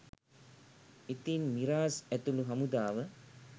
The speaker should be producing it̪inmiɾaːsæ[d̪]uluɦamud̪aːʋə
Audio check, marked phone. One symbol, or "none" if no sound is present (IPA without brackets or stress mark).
t̪